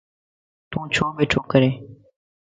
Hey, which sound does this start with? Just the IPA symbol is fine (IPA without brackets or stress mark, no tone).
t̪